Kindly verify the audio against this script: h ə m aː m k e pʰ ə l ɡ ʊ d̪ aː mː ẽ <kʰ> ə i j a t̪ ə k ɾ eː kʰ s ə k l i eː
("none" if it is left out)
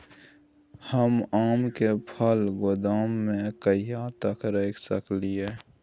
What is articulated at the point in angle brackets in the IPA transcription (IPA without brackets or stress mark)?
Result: k